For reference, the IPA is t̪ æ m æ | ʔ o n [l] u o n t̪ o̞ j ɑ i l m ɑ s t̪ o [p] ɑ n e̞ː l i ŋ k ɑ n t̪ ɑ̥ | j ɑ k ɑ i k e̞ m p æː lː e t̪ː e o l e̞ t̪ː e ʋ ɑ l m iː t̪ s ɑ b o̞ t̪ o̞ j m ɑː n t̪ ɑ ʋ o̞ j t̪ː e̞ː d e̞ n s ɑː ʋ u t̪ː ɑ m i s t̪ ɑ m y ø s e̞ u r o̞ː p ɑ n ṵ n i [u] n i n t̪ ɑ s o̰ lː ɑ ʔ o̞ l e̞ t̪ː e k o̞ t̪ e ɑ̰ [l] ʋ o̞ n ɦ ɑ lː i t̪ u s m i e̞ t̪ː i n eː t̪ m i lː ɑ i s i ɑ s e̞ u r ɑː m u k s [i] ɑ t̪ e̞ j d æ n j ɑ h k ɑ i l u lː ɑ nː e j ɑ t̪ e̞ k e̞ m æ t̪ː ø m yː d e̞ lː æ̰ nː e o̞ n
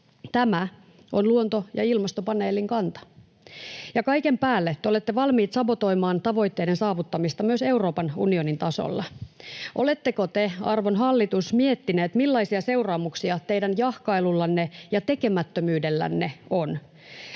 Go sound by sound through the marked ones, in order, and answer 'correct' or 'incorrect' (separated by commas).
correct, correct, incorrect, incorrect, correct